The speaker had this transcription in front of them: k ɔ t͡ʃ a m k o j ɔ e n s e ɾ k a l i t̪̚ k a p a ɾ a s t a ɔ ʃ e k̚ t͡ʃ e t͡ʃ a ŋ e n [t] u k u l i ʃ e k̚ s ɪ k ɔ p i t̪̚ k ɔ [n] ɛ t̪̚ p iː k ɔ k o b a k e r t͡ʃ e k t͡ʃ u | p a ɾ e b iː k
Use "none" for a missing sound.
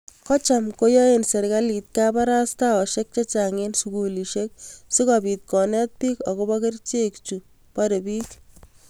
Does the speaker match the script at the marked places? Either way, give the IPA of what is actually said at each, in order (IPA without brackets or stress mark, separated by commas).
s, n